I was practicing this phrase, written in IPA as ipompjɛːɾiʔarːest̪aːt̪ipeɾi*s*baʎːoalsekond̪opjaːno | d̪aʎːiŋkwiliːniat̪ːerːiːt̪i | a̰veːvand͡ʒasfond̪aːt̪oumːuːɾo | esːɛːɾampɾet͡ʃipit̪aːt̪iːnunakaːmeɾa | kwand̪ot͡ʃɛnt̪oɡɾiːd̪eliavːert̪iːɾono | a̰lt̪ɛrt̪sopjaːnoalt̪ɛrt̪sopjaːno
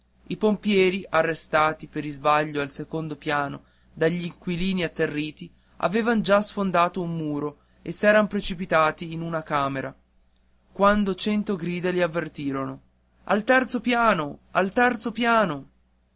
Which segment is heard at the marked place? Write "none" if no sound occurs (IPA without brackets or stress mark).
z